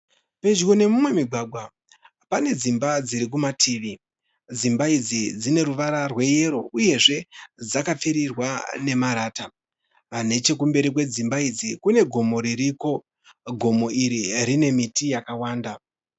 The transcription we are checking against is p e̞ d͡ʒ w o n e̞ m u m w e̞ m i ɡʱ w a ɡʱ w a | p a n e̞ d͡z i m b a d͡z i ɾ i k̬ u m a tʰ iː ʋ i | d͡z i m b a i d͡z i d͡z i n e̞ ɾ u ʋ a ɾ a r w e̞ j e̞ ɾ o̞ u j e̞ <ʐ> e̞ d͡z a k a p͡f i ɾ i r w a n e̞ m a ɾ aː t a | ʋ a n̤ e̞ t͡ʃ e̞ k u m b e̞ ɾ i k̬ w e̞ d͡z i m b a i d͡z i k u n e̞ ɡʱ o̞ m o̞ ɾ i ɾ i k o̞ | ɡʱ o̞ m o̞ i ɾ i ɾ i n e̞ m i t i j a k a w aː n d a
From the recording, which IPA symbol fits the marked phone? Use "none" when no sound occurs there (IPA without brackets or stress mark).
ʐ